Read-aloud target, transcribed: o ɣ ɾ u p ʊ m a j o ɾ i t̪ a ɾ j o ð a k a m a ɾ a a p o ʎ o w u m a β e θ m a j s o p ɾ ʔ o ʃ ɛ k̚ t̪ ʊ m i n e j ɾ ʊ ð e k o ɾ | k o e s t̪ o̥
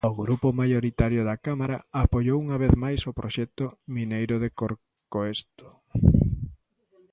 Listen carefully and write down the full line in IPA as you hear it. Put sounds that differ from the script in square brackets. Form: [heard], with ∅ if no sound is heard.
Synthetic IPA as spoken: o ɣ ɾ u p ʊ m a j o ɾ i t̪ a ɾ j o ð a k a m a ɾ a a p o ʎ o w u [ŋ] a β e θ m a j s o p ɾ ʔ o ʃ ɛ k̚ t̪ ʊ m i n e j ɾ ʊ ð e k o ɾ | k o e s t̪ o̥